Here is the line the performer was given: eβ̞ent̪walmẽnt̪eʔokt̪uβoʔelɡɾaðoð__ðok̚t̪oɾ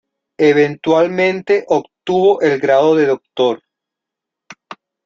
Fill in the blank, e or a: e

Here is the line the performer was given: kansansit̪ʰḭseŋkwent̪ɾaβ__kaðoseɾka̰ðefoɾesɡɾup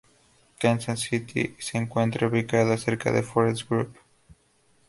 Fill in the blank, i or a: i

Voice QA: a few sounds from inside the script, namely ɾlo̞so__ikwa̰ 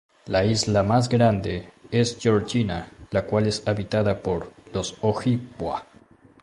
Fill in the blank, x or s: x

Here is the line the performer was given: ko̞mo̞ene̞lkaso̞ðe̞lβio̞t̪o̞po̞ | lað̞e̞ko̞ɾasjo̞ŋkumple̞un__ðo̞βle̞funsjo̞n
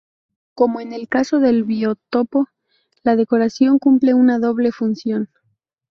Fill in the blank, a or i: a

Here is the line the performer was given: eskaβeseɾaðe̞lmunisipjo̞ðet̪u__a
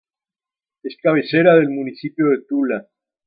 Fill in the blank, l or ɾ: l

